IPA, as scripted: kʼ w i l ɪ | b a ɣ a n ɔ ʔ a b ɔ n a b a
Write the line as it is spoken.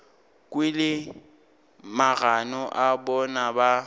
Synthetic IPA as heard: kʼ w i l ɪ | m a ɣ a n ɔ ʔ a b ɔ n a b a